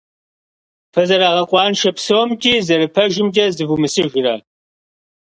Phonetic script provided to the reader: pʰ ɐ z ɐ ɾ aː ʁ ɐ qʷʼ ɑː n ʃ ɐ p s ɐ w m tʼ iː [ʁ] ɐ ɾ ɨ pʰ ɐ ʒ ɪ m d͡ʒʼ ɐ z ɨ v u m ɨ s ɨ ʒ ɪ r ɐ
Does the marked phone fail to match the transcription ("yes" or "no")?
yes